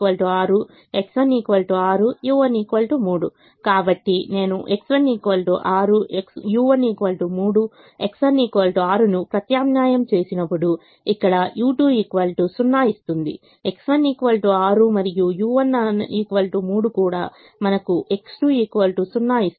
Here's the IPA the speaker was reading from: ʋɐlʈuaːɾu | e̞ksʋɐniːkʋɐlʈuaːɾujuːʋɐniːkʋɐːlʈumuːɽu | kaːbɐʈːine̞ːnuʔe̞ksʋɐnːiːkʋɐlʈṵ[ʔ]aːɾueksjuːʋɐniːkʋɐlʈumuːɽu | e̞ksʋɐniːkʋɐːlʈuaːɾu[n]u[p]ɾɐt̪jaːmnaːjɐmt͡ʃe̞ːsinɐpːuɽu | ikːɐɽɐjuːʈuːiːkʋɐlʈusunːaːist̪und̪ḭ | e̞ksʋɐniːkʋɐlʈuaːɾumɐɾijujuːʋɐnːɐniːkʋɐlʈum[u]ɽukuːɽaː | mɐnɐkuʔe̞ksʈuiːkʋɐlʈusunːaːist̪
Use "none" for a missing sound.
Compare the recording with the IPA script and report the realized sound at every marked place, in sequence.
ʔ, n, p, uː

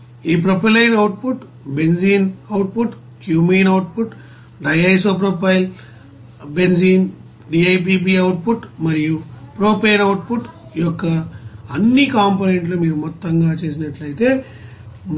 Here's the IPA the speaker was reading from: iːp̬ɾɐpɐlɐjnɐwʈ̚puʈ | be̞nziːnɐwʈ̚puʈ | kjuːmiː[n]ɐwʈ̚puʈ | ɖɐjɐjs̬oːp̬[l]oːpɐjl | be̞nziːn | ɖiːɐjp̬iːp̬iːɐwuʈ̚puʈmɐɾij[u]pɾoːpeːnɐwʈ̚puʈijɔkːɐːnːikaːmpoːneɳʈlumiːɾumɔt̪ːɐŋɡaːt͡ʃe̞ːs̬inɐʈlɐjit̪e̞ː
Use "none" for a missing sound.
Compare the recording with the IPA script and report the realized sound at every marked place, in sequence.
n, ɾ, u

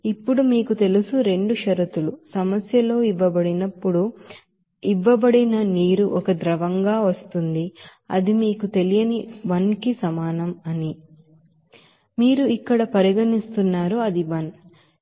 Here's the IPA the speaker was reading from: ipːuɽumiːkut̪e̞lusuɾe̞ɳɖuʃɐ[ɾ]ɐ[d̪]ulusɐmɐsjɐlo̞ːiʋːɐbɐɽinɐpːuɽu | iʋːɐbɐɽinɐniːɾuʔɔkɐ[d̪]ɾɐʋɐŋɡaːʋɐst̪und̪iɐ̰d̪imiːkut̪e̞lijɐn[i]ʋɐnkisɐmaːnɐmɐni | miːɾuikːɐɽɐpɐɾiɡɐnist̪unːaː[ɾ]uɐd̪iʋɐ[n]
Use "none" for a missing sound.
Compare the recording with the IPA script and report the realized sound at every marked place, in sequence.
ɾ, t̪, d̪, i, ɾ, n

